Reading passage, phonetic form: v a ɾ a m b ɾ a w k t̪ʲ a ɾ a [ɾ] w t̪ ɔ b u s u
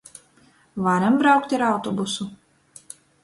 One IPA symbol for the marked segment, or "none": none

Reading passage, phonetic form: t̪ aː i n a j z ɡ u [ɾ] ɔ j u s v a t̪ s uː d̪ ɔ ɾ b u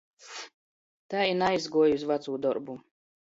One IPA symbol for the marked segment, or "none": none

